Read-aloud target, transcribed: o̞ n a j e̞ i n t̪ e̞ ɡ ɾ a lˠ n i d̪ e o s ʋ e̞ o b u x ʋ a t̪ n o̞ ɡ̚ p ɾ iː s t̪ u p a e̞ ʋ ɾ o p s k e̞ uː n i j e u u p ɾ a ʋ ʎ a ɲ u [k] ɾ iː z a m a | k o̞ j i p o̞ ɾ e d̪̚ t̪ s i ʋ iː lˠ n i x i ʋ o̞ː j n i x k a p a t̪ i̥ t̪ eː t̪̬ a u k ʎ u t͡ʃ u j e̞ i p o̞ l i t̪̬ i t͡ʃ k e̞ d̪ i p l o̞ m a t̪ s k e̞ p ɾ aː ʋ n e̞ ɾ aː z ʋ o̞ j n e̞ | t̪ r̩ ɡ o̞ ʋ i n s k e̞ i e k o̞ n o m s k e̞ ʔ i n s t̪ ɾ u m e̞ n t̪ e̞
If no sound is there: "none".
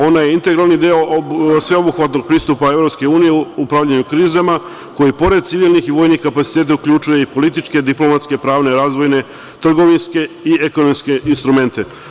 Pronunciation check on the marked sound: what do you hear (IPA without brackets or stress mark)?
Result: k